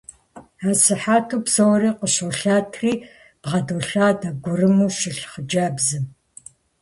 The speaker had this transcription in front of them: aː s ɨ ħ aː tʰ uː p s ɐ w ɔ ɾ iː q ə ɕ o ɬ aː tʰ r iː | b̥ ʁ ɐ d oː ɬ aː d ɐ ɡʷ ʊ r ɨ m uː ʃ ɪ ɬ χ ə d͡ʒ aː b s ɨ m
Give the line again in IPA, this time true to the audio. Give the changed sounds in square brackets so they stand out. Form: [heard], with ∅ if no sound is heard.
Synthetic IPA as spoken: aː s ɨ ħ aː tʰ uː p s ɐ w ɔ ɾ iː q ə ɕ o ɬ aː tʰ r iː | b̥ ʁ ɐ d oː ɬ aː d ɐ ɡʷ ʊ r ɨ m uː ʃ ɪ ɬ χ ə d͡ʒ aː b [z] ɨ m